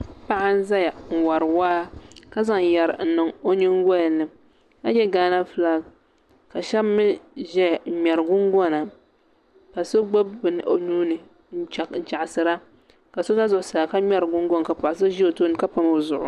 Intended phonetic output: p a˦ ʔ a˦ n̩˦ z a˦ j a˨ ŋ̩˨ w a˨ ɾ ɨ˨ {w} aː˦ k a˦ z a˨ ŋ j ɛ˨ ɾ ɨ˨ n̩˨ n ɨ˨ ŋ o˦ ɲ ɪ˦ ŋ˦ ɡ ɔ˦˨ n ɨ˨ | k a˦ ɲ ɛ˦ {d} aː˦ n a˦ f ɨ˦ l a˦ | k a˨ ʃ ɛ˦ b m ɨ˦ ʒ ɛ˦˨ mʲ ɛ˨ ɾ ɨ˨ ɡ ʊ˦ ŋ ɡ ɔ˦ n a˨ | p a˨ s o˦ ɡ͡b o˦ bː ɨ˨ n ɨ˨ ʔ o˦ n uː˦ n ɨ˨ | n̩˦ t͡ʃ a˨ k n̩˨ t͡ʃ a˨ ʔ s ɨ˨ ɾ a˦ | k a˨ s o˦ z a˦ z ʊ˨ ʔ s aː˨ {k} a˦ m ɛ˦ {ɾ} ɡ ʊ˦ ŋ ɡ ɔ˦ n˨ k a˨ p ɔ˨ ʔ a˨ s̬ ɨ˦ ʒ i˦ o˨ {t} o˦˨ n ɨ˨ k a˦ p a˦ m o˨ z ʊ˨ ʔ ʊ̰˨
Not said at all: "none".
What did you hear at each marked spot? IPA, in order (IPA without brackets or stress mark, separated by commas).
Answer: w, ɡ, k, ɾ, t